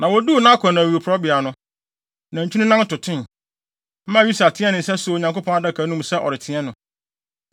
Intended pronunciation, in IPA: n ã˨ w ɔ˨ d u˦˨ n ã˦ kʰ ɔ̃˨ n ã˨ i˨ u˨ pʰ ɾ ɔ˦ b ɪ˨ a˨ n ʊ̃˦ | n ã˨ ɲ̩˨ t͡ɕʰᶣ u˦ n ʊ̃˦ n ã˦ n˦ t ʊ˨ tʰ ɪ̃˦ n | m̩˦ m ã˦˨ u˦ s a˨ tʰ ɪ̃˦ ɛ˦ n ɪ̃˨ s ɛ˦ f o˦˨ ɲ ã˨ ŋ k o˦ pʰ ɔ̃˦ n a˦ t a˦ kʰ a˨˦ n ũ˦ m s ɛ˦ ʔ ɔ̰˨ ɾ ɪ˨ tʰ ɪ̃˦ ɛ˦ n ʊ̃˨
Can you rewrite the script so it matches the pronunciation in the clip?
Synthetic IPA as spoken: n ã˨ w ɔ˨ d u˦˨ n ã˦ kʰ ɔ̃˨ n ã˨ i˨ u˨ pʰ ɾ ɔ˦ b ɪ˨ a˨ n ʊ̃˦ | n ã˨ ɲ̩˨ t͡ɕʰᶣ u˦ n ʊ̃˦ n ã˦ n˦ t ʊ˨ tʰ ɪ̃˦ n | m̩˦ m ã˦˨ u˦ s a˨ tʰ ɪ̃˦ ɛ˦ n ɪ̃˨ s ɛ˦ s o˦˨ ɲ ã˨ ŋ k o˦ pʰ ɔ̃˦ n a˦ d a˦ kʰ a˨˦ n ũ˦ m s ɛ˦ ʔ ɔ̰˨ ɾ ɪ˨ tʰ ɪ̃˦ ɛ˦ n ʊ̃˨